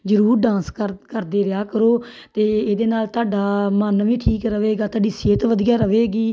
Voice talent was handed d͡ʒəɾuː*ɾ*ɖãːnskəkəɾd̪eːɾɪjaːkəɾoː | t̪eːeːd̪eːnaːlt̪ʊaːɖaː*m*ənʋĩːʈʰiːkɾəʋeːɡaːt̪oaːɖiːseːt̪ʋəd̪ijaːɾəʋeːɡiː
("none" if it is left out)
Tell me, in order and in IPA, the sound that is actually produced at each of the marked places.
ɾ, m

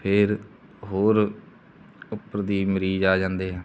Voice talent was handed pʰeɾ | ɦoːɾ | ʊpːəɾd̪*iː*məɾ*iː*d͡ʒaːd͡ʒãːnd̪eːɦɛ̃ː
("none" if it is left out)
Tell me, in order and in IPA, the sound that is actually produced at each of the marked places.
iː, iː

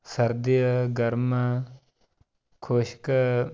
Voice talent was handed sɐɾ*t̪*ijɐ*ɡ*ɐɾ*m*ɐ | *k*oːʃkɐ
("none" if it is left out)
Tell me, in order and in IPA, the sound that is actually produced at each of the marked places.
d̪, ɡ, m, kʰ

